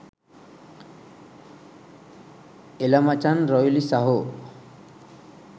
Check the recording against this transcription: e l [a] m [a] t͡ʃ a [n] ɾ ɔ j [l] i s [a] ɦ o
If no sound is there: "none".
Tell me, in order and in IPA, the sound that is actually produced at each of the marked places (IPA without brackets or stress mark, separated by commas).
a, a, n, l, a